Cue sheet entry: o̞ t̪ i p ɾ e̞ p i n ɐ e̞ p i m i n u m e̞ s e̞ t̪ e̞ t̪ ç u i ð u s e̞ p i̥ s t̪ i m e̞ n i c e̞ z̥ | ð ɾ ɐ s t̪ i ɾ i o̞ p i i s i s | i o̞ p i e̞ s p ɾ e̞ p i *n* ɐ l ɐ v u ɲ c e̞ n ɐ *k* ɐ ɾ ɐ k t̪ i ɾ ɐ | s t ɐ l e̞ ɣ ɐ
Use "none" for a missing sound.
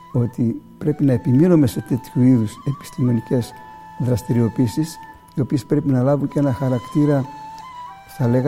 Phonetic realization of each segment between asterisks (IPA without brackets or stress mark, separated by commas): n, x